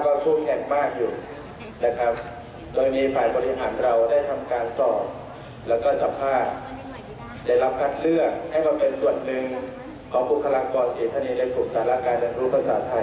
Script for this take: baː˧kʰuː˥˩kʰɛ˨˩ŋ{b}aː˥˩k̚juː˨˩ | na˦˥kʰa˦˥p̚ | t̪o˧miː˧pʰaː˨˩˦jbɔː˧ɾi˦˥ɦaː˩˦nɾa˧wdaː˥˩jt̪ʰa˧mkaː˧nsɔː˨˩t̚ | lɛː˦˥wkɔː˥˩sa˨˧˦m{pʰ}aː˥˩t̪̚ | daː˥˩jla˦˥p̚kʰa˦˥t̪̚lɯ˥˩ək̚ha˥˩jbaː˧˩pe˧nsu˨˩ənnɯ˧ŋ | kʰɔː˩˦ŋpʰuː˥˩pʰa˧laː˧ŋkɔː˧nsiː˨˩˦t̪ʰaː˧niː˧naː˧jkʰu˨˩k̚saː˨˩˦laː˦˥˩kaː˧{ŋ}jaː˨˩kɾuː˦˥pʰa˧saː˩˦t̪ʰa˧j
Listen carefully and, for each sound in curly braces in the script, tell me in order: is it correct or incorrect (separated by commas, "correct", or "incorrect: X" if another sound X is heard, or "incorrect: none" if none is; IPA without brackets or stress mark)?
incorrect: m, correct, incorrect: n